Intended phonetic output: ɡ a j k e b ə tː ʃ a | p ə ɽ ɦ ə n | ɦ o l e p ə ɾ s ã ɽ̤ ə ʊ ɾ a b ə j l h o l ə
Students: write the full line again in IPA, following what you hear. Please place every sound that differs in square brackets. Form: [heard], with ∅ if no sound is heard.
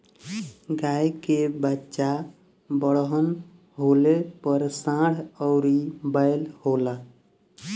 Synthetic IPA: ɡ a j k e b ə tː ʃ a | [b] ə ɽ ɦ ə n | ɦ o l e p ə ɾ s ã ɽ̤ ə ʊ ɾ [i] b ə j l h o l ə